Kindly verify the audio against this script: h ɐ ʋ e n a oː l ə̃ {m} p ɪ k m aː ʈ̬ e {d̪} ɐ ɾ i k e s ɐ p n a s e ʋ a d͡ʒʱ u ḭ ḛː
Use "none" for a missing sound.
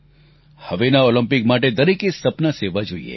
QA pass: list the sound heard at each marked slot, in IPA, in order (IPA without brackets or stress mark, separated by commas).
m, d̪